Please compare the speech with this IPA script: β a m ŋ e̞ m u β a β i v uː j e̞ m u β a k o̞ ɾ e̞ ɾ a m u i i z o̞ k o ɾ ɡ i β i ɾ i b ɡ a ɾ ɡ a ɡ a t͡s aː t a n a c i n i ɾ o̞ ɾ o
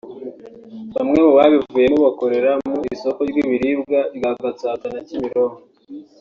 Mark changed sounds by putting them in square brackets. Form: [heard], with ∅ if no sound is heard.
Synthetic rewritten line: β a m ŋ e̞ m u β a β i v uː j e̞ m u β a k o̞ ɾ e̞ ɾ a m u i i [s] o̞ k o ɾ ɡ i β i ɾ i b ɡ a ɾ ɡ a ɡ a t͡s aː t a n a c i [m] i ɾ o̞ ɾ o